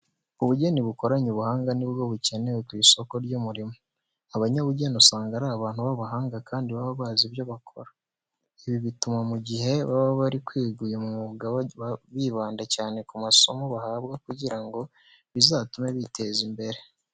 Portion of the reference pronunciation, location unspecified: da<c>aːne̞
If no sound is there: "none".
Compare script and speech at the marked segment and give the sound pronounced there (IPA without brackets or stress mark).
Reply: c